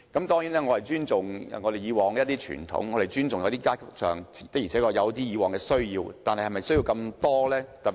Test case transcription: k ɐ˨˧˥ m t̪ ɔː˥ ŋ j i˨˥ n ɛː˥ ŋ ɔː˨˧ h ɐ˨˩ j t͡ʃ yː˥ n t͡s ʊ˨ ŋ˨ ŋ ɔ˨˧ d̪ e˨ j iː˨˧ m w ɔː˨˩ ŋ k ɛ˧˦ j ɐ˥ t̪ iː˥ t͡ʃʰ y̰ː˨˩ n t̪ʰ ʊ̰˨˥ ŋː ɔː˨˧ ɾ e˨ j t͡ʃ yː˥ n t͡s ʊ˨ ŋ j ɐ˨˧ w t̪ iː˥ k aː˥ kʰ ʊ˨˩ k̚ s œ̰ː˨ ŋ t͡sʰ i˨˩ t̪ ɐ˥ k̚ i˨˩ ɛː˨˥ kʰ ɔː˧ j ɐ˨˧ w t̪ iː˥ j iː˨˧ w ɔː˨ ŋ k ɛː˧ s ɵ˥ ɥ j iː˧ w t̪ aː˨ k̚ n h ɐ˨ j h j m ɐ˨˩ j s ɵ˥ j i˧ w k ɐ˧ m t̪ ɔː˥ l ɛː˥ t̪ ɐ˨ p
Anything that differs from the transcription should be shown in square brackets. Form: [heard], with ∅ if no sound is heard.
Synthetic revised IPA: k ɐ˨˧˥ m t̪ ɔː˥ ŋ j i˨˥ n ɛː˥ ŋ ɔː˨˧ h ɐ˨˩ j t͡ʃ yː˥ n t͡s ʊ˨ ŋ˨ ŋ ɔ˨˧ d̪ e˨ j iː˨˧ [∅] w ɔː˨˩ ŋ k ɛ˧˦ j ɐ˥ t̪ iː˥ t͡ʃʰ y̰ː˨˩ n t̪ʰ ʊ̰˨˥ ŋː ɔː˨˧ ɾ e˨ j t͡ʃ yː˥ n t͡s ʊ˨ ŋ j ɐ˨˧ w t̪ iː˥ k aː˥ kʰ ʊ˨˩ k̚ s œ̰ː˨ ŋ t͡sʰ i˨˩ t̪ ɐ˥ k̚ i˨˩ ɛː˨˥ [k] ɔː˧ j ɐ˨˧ w t̪ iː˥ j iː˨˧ w ɔː˨ ŋ k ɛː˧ s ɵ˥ ɥ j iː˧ w t̪ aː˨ [∅] n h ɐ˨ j h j m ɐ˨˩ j s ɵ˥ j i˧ w k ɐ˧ m t̪ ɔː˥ l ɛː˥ t̪ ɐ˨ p